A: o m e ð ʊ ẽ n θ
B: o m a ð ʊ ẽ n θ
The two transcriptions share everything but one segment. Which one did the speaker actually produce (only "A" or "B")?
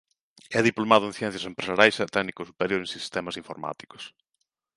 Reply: B